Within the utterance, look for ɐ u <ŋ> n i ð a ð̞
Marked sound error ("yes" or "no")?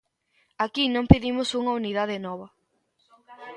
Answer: yes